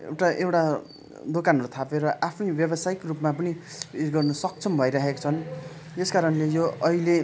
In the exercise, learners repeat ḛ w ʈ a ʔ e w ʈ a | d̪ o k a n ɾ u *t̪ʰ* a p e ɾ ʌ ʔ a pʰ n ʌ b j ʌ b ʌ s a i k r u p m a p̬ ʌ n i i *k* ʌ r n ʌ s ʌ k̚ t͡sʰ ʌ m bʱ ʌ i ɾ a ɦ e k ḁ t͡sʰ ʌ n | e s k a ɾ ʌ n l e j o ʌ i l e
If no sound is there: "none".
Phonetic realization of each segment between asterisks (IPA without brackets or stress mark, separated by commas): t̪ʰ, ɡ